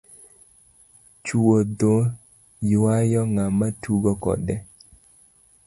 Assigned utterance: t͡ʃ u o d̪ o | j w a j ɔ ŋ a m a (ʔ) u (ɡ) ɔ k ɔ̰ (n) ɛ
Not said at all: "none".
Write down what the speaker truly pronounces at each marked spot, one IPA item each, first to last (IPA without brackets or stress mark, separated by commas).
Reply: t, ɡ, d